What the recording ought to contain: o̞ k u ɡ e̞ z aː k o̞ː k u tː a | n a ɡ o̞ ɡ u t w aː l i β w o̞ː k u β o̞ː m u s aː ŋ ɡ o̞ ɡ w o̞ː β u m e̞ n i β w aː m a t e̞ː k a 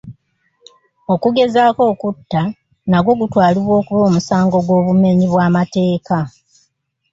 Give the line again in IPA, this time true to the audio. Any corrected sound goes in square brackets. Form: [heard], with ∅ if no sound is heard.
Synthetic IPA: o̞ k u ɡ e̞ z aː k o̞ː k u tː a | n a ɡ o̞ ɡ u t w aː l i β w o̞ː k u β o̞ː m u s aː ŋ ɡ o̞ ɡ w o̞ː β u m e̞ [ɲ] i β w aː m a t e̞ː k a